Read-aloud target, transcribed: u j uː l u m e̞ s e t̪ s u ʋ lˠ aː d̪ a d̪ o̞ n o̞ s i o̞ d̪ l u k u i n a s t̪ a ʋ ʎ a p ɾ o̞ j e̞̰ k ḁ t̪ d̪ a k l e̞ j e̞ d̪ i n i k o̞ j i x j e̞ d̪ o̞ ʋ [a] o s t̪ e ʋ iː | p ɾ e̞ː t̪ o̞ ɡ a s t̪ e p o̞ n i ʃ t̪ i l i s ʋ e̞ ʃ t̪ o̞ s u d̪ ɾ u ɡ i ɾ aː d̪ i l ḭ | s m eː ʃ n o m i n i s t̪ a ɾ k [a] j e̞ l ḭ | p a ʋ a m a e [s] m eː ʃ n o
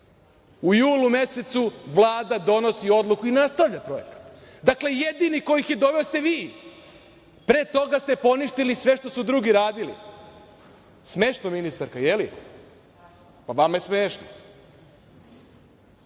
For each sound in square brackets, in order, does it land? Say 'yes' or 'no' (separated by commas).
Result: no, yes, yes